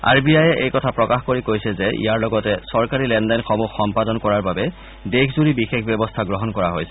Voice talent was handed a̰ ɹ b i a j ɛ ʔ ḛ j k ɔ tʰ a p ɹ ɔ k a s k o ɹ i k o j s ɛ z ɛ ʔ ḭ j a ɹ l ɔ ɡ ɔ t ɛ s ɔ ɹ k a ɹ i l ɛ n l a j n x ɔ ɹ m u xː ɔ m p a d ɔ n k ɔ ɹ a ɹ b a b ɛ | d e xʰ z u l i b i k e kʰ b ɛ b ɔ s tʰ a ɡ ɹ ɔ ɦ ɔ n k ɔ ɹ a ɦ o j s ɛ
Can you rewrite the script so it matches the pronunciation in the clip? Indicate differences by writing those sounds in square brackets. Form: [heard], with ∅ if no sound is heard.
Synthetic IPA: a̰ ɹ b i a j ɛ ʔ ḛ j k ɔ tʰ a p ɹ ɔ k a [x] k o ɹ i k o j s ɛ z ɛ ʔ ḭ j a ɹ l ɔ ɡ ɔ t ɛ s ɔ ɹ k a ɹ i l ɛ n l a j n x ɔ [∅] m u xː ɔ m p a d ɔ n k ɔ ɹ a ɹ b a b ɛ | d e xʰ z u [ɹ] i b i [x] e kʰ b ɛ b ɔ s tʰ a ɡ ɹ ɔ ɦ ɔ n k ɔ ɹ a ɦ o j s ɛ